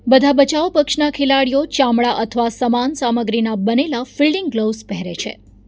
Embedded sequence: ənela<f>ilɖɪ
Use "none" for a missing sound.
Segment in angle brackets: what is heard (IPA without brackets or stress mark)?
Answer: f